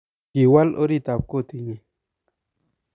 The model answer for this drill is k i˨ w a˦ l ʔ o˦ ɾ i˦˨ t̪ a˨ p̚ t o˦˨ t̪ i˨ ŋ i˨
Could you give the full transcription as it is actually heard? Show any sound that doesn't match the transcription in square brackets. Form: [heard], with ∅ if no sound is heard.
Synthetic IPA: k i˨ w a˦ l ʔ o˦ ɾ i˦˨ t̪ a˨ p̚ [k] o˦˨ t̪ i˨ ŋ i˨